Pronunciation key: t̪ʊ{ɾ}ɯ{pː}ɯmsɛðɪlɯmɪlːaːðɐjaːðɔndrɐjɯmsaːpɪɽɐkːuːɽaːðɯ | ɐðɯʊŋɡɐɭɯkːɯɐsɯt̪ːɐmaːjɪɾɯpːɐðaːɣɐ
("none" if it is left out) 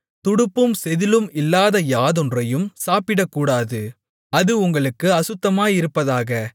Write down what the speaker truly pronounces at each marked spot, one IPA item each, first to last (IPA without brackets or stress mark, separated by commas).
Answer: ɽ, pː